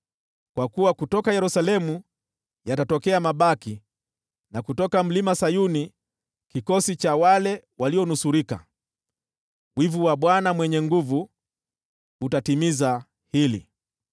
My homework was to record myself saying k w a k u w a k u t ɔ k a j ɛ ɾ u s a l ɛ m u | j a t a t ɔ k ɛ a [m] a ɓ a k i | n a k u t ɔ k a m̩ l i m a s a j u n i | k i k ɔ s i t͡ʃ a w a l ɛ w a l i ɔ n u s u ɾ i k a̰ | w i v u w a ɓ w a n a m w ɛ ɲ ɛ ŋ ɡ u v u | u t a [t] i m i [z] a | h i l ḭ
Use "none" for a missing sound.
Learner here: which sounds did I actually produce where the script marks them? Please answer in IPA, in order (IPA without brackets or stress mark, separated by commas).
m, t, z